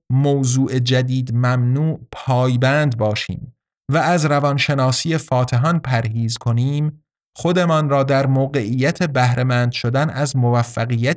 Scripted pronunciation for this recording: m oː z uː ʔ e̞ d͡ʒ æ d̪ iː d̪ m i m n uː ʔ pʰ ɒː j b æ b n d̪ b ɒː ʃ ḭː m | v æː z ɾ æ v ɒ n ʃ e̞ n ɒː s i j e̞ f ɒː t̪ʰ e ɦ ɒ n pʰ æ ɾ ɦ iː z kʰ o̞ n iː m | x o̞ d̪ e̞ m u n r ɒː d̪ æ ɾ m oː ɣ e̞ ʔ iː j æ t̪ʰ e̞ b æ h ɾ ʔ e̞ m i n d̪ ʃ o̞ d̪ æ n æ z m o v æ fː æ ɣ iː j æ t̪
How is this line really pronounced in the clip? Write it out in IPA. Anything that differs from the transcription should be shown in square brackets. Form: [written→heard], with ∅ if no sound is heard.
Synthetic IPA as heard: m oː z uː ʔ e̞ d͡ʒ æ d̪ iː d̪ m [i→æ] m n uː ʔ pʰ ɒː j b æ [b→∅] n d̪ b ɒː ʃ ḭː m | v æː z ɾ æ v ɒ n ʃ e̞ n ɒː s i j e̞ f ɒː t̪ʰ e ɦ ɒ n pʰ æ ɾ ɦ iː z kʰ o̞ n iː m | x o̞ d̪ e̞ m [u→ɒ] n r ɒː d̪ æ ɾ m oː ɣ e̞ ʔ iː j æ t̪ʰ e̞ b æ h ɾ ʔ e̞ m [i→æ] n d̪ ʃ o̞ d̪ æ n æ z m o v æ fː æ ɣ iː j æ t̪